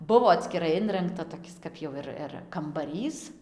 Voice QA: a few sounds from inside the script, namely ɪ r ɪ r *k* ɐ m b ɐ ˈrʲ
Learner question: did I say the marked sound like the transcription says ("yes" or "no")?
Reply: yes